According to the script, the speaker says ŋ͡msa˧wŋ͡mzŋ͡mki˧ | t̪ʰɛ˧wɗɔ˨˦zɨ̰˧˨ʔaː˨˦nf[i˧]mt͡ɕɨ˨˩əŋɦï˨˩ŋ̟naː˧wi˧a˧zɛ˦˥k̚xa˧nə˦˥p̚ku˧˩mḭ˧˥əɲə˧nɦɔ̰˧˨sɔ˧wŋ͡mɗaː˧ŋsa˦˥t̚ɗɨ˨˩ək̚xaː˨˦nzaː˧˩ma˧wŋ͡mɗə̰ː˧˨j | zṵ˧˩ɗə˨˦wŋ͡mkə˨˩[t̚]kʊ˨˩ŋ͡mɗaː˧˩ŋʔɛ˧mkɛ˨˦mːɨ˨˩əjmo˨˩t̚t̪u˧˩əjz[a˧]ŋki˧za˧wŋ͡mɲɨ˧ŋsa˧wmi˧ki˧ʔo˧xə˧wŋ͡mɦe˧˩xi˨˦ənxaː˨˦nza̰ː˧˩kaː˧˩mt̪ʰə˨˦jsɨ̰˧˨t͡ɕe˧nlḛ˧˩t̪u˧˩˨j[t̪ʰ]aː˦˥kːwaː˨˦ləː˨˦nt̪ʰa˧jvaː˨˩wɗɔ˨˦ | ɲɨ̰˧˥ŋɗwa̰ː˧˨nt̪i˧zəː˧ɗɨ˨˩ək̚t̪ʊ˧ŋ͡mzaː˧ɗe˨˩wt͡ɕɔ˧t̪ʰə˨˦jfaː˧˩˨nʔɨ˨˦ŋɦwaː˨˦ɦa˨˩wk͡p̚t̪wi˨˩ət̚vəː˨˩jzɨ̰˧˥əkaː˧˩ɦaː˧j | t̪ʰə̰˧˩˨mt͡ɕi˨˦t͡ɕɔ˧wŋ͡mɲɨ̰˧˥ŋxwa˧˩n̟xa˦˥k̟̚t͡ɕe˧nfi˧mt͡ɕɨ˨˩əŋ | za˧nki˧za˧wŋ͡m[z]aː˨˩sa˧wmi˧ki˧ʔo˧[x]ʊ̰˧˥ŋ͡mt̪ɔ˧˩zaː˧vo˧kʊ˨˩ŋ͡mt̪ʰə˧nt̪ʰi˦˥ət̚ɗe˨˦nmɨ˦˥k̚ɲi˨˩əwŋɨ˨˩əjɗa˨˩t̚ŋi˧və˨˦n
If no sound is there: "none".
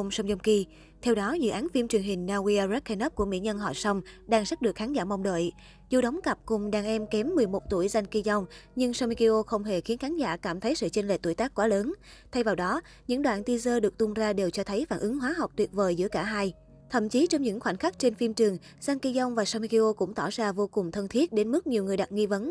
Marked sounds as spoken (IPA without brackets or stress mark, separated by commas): i˧, p̚, a˧, t̪, v, k